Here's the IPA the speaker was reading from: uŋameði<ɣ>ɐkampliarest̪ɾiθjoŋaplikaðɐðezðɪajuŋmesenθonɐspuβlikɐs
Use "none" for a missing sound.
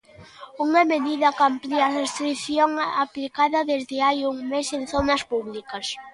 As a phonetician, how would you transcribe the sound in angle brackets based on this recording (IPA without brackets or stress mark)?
ð